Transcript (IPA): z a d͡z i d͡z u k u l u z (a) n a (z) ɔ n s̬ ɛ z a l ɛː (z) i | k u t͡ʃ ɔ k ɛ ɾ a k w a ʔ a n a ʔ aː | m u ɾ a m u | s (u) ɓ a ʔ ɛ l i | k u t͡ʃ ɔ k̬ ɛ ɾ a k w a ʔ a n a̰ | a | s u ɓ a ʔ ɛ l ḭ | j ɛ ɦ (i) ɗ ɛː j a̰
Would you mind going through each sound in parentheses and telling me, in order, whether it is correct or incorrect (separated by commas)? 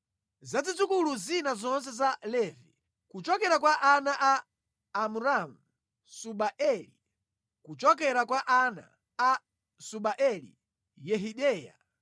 incorrect, correct, incorrect, correct, correct